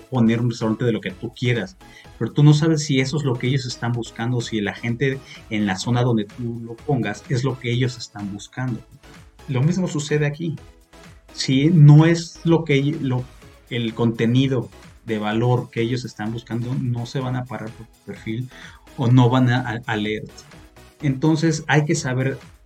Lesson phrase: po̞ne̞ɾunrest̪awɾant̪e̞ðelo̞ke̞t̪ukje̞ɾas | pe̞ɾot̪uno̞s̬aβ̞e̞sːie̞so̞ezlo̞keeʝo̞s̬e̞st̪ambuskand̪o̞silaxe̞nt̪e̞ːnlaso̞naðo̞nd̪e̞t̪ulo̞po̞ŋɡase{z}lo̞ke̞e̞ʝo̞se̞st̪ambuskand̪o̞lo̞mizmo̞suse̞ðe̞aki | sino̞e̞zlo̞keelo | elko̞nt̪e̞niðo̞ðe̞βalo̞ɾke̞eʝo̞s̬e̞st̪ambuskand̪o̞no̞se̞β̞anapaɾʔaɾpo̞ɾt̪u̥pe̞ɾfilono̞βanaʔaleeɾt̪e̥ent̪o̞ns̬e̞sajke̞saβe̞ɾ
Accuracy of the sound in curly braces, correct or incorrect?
correct